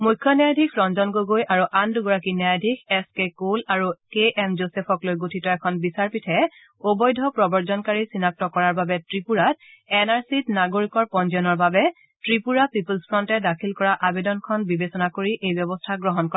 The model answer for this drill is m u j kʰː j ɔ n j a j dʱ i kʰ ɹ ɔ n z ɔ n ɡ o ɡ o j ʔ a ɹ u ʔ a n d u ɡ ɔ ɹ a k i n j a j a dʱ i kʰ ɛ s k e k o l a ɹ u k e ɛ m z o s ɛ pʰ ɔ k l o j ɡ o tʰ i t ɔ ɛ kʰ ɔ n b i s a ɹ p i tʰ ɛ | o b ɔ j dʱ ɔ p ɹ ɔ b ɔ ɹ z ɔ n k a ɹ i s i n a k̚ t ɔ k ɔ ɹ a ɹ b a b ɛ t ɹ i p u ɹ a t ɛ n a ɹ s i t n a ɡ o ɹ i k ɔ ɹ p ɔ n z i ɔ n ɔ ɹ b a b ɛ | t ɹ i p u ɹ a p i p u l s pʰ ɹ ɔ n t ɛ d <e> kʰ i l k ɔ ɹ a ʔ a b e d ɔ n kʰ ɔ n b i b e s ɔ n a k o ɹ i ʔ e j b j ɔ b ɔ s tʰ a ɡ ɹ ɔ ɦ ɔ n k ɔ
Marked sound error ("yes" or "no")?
yes